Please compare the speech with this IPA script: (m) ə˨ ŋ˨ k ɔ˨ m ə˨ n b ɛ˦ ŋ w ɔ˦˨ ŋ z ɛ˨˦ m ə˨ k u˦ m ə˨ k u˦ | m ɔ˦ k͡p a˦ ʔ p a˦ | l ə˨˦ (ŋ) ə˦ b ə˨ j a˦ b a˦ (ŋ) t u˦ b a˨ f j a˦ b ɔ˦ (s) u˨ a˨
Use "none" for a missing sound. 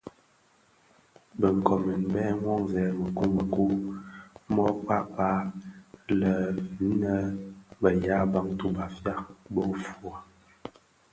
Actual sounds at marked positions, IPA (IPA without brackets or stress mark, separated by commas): b, n, ŋ, f